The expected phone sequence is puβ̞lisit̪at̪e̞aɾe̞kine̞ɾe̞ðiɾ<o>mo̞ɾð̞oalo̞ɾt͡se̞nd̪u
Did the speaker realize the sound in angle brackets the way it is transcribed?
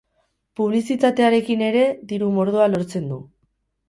no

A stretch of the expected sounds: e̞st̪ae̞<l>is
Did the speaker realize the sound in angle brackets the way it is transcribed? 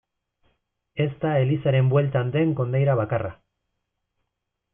yes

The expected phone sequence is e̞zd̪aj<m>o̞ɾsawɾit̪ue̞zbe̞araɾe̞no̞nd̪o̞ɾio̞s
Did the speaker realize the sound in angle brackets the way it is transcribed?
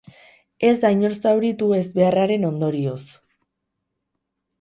no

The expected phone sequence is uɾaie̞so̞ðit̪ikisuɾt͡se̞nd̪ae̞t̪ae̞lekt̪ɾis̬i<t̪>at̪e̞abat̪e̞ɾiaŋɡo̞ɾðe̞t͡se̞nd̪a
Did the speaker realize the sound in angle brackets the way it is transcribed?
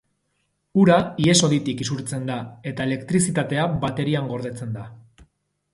yes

